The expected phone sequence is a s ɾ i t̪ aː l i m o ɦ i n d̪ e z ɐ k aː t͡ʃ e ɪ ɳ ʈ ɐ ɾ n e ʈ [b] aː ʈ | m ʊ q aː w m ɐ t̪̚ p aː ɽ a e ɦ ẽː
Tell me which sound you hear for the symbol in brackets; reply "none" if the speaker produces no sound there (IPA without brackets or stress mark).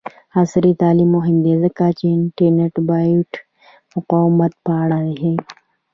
b